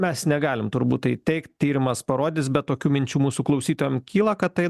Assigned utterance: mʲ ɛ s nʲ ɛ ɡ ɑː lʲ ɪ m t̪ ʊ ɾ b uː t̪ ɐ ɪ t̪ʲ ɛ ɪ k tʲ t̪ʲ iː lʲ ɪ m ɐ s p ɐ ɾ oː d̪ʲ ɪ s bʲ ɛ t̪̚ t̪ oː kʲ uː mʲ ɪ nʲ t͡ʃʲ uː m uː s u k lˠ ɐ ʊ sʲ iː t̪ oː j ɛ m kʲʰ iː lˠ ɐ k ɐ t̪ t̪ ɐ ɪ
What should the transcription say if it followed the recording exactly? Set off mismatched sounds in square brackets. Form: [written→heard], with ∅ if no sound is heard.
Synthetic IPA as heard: mʲ ɛ s nʲ ɛ ɡ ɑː lʲ ɪ m t̪ ʊ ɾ b uː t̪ ɐ ɪ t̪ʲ ɛ ɪ k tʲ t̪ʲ iː [lʲ→ɾʲ] ɪ m ɐ s p ɐ ɾ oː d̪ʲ ɪ s bʲ ɛ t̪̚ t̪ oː kʲ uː mʲ ɪ nʲ t͡ʃʲ uː m uː s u k lˠ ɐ ʊ sʲ iː t̪ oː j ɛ m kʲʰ iː lˠ ɐ k ɐ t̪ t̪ ɐ ɪ